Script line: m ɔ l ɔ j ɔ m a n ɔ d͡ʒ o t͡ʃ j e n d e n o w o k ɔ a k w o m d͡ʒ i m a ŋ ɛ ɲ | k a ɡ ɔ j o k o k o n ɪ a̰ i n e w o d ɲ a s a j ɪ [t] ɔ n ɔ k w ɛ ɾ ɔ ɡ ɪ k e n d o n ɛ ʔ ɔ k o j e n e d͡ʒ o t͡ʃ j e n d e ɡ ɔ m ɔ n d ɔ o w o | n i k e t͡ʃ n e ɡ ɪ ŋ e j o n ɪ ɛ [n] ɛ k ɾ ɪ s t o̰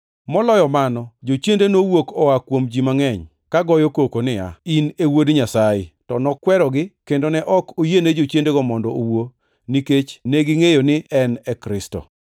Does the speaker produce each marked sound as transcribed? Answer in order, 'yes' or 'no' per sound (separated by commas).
yes, yes